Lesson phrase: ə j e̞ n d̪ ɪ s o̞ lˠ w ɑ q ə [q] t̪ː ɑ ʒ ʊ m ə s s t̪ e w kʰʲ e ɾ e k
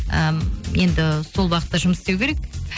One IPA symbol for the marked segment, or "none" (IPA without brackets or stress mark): none